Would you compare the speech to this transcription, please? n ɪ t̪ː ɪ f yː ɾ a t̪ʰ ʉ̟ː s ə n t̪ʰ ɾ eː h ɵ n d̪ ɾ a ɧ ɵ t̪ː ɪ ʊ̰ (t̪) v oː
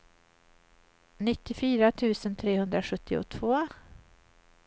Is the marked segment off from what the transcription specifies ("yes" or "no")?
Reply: yes